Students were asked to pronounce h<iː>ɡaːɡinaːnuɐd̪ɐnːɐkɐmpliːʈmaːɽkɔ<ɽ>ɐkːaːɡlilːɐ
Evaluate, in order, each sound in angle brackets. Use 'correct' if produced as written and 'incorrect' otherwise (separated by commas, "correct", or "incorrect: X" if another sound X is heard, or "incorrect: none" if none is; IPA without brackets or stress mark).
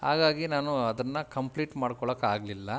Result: incorrect: aː, incorrect: ɭ